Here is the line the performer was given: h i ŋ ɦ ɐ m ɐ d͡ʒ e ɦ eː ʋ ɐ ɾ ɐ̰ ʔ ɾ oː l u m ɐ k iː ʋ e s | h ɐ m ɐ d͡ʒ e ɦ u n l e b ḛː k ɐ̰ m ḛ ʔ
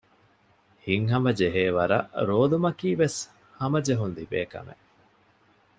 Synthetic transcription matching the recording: h i ŋ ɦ ɐ m ɐ d͡ʒ e ɦ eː ʋ ɐ ɾ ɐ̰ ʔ ɾ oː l u m ɐ k iː ʋ e s | h ɐ m ɐ d͡ʒ e ɦ u n l i b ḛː k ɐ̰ m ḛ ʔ